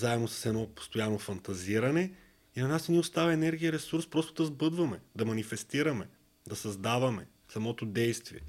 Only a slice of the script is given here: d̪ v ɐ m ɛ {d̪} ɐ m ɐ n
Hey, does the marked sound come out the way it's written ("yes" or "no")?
yes